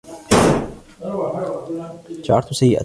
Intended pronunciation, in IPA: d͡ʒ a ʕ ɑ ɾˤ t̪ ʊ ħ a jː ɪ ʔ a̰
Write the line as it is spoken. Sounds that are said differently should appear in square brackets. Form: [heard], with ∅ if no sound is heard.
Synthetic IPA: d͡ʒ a ʕ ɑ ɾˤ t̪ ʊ [s] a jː ɪ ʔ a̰